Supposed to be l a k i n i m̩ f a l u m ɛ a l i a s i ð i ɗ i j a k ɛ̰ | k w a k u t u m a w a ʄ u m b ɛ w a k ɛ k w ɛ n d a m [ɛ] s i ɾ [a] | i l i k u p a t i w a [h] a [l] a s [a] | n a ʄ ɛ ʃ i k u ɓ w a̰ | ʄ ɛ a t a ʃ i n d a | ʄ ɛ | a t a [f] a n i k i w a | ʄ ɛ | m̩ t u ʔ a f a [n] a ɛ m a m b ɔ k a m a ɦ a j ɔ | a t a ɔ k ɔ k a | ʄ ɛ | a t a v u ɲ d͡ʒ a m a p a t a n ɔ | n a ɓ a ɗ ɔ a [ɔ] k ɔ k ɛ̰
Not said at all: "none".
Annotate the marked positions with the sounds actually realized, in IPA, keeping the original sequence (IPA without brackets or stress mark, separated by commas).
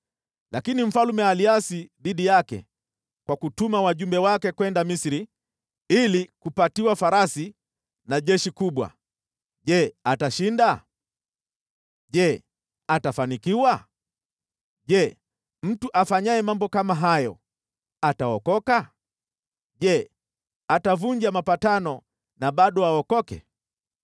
i, i, f, ɾ, i, f, ɲ, ɔ